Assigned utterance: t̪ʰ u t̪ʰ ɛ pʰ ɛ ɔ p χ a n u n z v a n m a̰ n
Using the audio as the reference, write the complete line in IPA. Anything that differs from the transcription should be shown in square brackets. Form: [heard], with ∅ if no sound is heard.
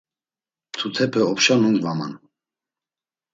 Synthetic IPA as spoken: t̪ʰ u t̪ʰ ɛ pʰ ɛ ɔ p [ʃ] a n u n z v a [∅] m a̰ n